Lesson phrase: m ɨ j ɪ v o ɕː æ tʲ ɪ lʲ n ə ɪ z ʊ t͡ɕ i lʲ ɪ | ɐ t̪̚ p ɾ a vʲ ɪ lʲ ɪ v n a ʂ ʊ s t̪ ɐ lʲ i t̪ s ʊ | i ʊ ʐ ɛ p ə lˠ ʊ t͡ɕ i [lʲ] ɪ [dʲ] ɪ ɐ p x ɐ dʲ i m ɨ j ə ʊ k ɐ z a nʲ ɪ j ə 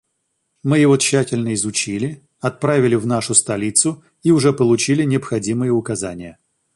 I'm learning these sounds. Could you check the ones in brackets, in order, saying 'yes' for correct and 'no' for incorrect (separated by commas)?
yes, no